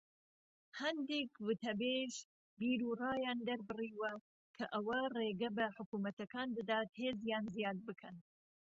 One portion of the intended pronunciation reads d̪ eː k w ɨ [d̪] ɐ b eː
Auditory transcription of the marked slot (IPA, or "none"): t̪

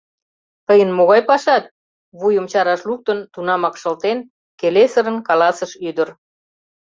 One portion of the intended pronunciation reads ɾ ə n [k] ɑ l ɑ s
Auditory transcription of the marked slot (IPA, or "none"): k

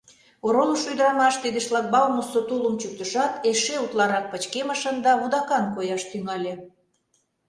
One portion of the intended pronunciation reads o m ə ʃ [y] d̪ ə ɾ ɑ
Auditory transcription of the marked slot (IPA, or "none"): y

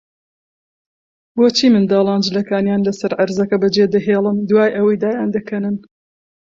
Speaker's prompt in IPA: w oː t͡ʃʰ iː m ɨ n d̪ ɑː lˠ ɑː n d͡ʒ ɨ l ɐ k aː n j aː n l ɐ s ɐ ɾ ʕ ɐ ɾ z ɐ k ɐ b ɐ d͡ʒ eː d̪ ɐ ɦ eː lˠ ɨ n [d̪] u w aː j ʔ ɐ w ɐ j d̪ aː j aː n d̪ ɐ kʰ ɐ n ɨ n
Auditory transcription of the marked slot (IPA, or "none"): d̪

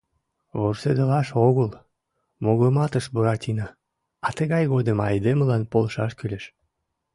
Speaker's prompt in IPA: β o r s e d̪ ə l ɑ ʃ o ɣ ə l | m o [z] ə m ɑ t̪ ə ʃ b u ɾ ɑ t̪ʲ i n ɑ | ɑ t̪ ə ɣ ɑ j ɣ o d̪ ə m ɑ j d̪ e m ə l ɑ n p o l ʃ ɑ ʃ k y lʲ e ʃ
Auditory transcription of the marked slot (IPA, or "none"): ɣ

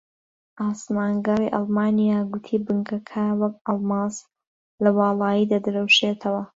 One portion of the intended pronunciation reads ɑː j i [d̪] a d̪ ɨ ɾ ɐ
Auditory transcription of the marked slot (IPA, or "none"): d̪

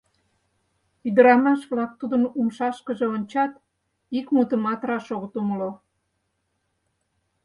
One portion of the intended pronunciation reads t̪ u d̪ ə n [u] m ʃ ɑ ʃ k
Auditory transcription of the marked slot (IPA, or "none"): u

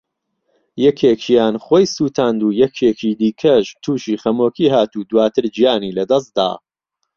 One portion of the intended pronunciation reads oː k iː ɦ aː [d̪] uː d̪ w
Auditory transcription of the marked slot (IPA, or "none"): t̪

